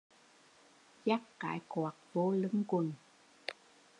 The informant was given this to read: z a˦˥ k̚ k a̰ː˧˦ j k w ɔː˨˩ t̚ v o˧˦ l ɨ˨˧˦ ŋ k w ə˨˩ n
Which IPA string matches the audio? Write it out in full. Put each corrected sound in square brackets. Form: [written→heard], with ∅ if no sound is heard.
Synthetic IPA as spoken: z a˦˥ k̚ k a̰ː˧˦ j k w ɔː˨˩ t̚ v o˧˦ l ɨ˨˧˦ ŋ k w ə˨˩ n